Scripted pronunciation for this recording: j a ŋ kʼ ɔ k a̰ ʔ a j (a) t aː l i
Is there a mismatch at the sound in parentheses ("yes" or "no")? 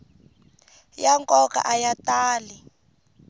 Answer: no